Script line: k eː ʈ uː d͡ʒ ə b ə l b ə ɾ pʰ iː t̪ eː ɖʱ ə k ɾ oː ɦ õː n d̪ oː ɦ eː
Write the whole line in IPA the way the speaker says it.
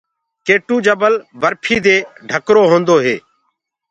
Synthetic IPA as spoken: k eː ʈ uː d͡ʒ ə b ə l b ə ɾ pʰ iː d̪ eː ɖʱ ə k ɾ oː ɦ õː n d̪ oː ɦ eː